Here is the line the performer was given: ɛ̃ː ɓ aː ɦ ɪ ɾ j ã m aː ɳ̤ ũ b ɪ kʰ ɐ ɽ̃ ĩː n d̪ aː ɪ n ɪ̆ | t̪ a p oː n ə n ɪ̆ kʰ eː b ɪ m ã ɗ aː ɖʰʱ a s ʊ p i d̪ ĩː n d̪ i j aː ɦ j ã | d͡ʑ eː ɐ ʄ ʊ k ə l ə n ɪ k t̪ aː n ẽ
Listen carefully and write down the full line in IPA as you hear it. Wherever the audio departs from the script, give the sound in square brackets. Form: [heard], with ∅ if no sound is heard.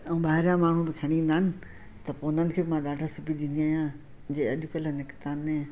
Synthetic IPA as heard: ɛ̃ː ɓ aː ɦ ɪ ɾ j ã m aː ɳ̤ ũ b ɪ kʰ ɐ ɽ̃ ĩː n d̪ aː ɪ n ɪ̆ | t̪ [ɐ] p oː n ə n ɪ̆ kʰ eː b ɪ m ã ɗ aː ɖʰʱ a s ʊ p i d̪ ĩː n d̪ i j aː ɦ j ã | d͡ʑ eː ɐ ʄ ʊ k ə l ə n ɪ k t̪ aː n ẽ